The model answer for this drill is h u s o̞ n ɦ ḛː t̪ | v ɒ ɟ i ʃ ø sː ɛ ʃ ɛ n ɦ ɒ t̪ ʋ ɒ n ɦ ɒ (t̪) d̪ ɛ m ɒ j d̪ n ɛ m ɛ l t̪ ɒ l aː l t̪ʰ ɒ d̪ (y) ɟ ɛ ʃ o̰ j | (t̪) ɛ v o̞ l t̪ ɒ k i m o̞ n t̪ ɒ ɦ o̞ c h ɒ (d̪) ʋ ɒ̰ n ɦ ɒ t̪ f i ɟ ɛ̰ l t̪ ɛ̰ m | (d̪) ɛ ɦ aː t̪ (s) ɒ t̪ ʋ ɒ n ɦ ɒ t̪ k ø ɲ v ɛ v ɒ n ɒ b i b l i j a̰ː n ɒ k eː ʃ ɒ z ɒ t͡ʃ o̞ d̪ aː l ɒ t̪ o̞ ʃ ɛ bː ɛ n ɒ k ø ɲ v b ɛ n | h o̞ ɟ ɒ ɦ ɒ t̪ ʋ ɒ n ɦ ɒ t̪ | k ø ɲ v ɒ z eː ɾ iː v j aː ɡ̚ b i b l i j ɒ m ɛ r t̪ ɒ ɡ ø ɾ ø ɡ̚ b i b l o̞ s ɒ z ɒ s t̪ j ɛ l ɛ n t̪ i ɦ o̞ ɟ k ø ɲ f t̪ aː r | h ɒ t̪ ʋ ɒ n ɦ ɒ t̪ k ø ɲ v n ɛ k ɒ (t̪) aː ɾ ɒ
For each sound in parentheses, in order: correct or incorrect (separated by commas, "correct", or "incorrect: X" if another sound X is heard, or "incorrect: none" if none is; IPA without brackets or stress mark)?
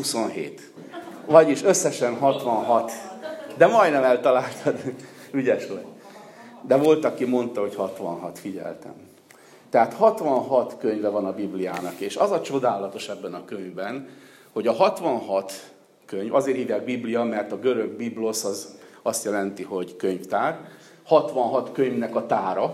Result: correct, correct, incorrect: d̪, incorrect: t̪, incorrect: t̪, incorrect: h, correct